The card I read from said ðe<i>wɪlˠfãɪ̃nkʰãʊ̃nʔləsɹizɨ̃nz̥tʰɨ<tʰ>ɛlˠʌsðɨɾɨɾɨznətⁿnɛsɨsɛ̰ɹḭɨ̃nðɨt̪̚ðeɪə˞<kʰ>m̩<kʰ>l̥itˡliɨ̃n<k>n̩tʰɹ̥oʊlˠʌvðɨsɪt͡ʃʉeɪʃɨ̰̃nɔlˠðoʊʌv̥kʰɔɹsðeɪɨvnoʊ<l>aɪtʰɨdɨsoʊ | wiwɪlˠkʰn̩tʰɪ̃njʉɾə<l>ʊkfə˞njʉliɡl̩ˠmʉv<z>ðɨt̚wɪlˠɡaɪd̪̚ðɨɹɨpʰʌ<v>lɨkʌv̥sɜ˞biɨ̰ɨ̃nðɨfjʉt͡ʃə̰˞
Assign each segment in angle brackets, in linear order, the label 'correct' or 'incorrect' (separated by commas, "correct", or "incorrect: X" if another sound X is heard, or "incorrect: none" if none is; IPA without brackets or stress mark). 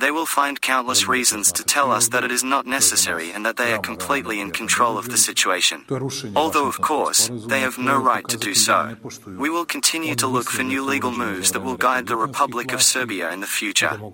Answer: incorrect: ɪ, correct, correct, incorrect: pʰ, incorrect: kʰ, incorrect: ɹ, correct, correct, incorrect: b